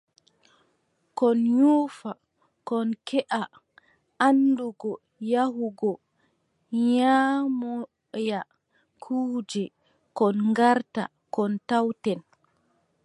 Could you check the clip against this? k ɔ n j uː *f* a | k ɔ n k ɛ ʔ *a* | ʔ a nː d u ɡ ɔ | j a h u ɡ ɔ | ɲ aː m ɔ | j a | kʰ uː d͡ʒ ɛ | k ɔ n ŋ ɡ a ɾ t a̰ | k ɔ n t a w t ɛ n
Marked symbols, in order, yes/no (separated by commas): yes, yes